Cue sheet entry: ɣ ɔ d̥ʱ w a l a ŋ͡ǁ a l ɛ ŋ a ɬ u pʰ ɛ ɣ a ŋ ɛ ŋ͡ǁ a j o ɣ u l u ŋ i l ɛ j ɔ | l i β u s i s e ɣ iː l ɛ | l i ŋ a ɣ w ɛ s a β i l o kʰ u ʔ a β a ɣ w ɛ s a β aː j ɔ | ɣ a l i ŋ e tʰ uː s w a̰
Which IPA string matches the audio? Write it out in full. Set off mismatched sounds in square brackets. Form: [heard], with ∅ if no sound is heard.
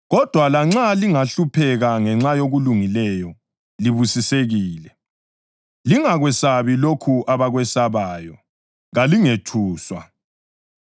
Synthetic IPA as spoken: ɣ ɔ d̥ʱ w a l a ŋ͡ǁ a l [i] ŋ a ɬ u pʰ ɛ ɣ a ŋ ɛ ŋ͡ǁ a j o ɣ u l u ŋ i l ɛ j ɔ | l i β u s i s e ɣ iː l ɛ | l i ŋ a ɣ w ɛ s a β i l o kʰ u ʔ a β a ɣ w ɛ s a β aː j ɔ | ɣ a l i ŋ e tʰ uː s w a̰